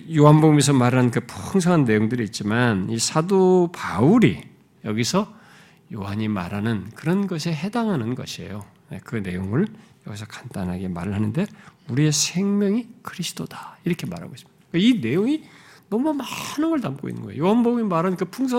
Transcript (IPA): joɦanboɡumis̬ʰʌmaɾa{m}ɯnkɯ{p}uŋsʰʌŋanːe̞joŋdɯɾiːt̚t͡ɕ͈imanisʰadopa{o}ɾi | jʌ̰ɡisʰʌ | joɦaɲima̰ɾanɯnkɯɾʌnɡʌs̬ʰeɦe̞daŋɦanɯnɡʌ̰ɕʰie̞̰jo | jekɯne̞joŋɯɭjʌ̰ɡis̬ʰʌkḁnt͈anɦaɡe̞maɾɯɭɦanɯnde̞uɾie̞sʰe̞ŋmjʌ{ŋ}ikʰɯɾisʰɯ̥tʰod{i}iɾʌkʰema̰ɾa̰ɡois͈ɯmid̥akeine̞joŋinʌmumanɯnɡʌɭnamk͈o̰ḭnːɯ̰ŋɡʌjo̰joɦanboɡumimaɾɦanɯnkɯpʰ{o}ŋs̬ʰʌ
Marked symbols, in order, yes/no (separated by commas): no, no, no, yes, no, no